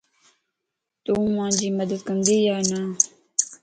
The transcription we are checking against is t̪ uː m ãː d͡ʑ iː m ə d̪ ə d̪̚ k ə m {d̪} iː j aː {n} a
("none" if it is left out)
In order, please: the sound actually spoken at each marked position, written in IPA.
d̪, n

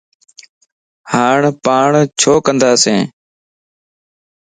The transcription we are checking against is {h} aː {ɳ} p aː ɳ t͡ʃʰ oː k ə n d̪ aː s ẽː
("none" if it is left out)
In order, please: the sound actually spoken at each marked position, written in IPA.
h, ɳ

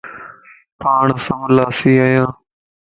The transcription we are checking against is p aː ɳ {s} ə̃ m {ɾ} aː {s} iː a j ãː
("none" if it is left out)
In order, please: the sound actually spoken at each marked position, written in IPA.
s, l, s

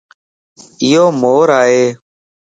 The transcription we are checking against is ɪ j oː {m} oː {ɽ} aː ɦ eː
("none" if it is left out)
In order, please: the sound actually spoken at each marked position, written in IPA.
m, ɾ

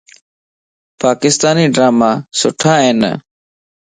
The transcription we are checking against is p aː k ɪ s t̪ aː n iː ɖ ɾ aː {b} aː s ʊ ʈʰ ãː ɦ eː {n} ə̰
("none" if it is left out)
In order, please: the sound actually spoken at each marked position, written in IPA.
m, n

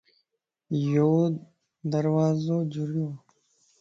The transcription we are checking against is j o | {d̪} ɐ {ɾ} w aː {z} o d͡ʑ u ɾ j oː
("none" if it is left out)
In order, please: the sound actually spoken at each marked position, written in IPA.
d̪, ɾ, z

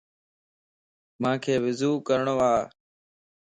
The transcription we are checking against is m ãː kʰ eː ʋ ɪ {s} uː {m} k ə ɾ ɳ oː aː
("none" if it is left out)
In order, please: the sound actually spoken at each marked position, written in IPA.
z, none

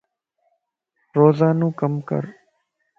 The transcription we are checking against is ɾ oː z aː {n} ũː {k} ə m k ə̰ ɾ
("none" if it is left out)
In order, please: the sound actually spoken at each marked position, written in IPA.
n, k

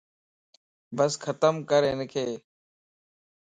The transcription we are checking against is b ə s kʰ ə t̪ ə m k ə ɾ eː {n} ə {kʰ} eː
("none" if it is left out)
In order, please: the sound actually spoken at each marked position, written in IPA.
n, kʰ

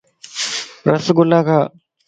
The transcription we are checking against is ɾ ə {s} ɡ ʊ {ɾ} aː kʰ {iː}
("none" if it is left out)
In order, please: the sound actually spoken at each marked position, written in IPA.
s, l, aː

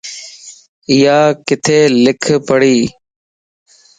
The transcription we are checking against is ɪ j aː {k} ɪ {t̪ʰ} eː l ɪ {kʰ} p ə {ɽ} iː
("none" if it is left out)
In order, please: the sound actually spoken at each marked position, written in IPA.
k, t̪ʰ, kʰ, ɽ

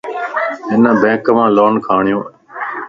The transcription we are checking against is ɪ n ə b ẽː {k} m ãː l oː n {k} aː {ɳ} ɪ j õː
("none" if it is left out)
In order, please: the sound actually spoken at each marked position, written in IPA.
k, kʰ, ɳ

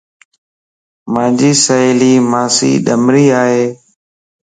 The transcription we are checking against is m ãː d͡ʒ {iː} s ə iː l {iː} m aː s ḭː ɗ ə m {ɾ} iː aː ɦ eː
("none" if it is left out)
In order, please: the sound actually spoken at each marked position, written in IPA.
iː, iː, ɾ

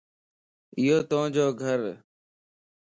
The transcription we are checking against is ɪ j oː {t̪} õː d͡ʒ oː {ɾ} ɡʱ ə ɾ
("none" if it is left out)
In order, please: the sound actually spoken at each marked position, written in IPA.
t̪, none

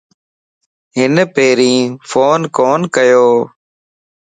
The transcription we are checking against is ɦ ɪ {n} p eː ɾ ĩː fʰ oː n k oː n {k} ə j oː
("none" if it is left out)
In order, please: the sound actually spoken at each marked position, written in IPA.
n, k

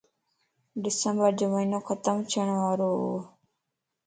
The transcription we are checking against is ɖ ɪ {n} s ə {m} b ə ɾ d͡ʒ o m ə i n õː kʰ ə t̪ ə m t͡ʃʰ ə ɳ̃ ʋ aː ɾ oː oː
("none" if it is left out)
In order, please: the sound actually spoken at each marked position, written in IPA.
none, m

